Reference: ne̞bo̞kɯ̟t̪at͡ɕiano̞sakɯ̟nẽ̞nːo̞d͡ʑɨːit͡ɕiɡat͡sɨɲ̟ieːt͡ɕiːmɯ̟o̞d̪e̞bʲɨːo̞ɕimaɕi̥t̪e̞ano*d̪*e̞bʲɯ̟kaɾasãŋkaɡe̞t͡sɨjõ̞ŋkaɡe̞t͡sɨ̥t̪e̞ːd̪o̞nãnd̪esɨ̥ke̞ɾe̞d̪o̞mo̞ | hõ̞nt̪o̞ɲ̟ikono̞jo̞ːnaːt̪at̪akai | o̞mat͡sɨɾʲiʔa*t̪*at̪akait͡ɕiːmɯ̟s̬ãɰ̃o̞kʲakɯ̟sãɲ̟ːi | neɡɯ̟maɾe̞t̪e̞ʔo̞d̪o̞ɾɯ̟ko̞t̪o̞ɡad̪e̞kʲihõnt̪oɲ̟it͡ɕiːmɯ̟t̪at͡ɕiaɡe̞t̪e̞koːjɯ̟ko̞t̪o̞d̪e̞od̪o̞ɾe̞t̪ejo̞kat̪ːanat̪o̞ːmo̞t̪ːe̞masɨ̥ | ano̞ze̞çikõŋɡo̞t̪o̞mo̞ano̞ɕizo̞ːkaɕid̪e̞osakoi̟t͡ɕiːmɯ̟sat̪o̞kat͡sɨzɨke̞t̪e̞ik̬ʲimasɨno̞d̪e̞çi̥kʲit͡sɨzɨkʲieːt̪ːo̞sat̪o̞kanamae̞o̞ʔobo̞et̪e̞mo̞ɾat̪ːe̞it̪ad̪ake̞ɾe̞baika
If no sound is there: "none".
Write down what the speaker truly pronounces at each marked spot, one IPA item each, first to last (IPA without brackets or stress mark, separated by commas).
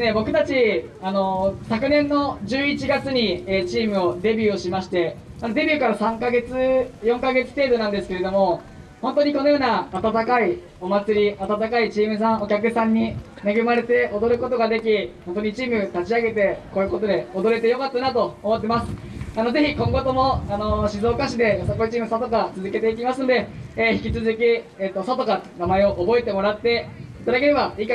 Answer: d̪, t̪